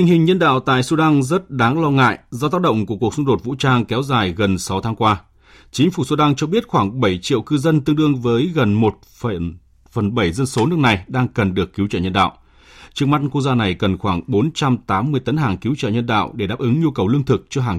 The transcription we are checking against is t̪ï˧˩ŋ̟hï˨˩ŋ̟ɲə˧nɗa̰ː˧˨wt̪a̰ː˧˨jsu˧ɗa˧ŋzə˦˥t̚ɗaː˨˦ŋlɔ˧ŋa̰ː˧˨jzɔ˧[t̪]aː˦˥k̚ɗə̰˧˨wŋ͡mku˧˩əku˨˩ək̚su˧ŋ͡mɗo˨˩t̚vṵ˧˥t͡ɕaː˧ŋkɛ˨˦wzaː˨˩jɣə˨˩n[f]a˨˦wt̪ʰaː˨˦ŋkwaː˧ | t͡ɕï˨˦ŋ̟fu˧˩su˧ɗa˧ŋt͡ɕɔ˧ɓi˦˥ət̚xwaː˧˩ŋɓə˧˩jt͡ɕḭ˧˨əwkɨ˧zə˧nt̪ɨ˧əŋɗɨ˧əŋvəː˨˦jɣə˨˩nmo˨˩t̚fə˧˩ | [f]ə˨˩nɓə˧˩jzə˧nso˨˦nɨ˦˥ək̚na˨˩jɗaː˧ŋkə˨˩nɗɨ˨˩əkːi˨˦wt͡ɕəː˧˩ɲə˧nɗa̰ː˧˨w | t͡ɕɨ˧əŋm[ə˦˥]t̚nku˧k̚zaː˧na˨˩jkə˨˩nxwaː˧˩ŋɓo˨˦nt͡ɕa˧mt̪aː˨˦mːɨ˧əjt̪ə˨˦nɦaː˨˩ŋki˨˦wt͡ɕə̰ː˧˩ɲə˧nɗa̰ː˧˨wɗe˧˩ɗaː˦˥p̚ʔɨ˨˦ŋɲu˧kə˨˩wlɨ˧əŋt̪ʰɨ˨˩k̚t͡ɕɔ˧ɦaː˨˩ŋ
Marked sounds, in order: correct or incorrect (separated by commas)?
correct, incorrect, correct, incorrect